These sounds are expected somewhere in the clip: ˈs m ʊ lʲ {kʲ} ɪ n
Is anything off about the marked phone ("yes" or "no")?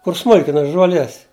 no